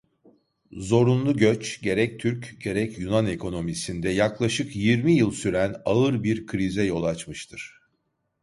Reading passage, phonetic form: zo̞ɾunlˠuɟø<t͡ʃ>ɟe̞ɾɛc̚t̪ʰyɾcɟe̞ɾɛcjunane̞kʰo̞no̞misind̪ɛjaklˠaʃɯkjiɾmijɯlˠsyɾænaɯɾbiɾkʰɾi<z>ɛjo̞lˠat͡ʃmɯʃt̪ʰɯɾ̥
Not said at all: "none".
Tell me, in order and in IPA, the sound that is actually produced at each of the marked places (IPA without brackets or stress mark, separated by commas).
t͡ʃ, z